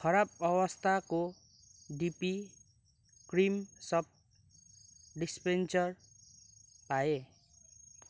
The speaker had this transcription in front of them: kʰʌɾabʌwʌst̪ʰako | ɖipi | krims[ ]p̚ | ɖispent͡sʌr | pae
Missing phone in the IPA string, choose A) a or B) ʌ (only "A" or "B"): B